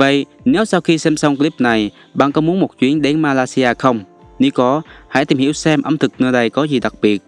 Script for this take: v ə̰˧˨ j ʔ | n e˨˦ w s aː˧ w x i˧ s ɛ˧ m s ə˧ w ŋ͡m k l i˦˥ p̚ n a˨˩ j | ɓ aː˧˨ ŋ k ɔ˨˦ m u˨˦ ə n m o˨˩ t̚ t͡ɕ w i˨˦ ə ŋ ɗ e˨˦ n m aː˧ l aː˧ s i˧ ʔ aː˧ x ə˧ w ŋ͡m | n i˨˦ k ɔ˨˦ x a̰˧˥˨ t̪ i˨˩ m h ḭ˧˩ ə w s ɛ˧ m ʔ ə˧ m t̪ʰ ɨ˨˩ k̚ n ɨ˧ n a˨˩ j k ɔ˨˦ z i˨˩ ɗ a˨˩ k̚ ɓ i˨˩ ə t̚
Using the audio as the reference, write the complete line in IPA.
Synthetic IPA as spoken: v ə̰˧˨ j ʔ | n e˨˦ w s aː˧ w x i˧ s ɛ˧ m s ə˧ w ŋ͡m k l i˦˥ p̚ n a˨˩ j | ɓ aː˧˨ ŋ k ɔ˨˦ m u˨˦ ə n m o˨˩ t̚ t͡ɕ w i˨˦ ə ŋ ɗ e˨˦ n m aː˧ l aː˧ s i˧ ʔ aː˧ x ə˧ w ŋ͡m | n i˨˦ k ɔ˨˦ h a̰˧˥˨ t̪ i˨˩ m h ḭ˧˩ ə w s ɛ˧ m ʔ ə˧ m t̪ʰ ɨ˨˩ k̚ n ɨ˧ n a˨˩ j k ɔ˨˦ z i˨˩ ɗ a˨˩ k̚ ɓ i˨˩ ə t̚

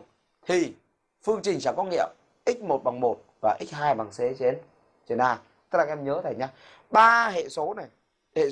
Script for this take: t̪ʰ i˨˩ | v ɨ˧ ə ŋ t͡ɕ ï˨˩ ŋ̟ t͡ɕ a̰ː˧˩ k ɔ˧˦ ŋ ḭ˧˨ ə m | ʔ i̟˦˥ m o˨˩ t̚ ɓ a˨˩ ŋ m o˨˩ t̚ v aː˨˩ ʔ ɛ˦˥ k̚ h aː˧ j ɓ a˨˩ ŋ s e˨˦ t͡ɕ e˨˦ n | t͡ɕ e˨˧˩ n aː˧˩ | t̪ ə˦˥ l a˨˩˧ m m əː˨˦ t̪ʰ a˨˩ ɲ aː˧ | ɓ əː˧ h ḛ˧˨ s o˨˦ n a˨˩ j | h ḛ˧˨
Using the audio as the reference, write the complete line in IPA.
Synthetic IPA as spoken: t̪ʰ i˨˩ | f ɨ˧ ə ŋ t͡ɕ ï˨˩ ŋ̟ t͡ɕ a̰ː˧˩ k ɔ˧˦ ŋ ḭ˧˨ ə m | ʔ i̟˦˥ m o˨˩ t̚ ɓ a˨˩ ŋ m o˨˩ t̚ v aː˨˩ ʔ i˦˥ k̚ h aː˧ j ɓ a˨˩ ŋ s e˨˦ t͡ɕ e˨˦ n | t͡ɕ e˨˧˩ n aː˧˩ | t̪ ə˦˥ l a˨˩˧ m ɲ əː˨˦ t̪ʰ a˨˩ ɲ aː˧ | ɓ aː˧ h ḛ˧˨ s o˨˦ n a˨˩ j | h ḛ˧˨

